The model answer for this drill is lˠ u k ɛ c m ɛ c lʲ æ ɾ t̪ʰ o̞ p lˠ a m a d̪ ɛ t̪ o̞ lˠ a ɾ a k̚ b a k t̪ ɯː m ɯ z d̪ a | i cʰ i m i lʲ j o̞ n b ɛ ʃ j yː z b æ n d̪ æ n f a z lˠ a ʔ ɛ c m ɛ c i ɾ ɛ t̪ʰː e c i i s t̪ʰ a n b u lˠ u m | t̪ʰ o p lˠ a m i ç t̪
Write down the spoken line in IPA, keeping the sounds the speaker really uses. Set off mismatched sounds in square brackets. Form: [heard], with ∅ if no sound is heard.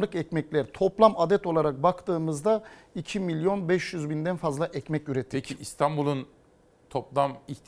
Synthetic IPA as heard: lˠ [ɯ] k ɛ c m ɛ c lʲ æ ɾ t̪ʰ o̞ p lˠ a m a d̪ ɛ t̪ o̞ lˠ a ɾ a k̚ b a k t̪ ɯː m ɯ z d̪ a | i cʰ i m i lʲ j o̞ n b ɛ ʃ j [y] z b [i] n d̪ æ n f a z lˠ a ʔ ɛ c m ɛ c [y] ɾ ɛ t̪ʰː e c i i s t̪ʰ a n b u lˠ u [n] | t̪ʰ o p lˠ a m i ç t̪